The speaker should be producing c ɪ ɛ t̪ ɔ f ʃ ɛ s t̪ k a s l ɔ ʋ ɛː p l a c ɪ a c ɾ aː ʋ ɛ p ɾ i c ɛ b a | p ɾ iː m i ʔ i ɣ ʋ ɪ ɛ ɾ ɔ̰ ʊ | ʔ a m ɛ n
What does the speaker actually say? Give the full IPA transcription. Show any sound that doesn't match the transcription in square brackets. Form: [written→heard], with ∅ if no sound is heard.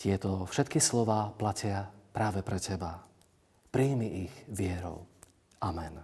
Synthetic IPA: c ɪ ɛ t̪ ɔ f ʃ ɛ [s→∅] t̪ k [a→i] s l ɔ ʋ [ɛː→aː] p l a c ɪ a [c→p] ɾ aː ʋ ɛ p ɾ [i→ɛ] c ɛ b a | p ɾ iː m i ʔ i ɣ ʋ ɪ ɛ ɾ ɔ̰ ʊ | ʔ a m ɛ n